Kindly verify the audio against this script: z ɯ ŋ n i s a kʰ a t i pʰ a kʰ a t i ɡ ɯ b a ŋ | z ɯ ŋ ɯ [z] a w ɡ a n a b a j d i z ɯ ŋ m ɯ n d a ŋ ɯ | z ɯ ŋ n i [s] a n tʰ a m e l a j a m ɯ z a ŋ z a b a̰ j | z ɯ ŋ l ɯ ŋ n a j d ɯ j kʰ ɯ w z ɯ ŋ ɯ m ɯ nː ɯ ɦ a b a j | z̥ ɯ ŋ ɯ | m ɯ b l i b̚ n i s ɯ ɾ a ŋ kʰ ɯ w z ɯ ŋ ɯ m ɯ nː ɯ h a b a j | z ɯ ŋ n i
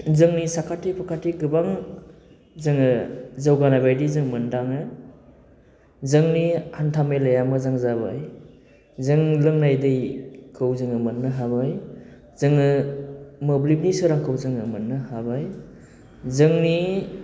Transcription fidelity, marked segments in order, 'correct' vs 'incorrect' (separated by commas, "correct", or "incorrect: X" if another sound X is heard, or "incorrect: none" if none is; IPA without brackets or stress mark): correct, incorrect: h